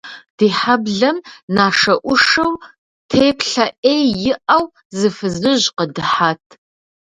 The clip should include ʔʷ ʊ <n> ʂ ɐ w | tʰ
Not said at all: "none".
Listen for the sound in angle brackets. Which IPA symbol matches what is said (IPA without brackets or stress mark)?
none